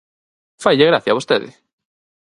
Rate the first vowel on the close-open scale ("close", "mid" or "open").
open